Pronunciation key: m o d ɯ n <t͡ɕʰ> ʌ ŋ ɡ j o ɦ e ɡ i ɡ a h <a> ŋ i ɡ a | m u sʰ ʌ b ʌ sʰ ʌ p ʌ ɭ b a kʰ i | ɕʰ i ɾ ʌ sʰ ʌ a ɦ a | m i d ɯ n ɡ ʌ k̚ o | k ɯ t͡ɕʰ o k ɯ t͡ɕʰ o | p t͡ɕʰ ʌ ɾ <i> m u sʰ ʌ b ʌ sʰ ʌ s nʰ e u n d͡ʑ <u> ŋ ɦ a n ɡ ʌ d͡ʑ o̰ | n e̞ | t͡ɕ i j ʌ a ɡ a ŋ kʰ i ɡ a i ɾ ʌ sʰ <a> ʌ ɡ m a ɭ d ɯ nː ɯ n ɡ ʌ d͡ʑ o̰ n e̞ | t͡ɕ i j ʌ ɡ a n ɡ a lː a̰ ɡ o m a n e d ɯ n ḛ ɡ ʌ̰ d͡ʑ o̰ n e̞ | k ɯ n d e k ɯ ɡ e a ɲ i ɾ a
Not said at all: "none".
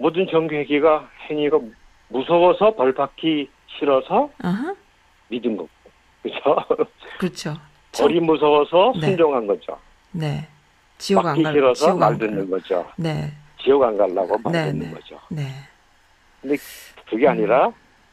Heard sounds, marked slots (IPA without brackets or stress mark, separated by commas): t͡ɕ, e, i, o, ʌ